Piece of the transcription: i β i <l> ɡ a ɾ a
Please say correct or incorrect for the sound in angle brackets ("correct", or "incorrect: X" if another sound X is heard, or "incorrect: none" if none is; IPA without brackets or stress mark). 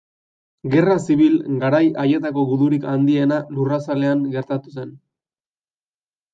correct